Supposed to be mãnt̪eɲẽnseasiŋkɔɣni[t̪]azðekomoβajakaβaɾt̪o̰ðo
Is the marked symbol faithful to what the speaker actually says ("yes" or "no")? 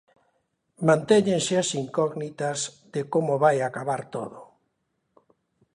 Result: yes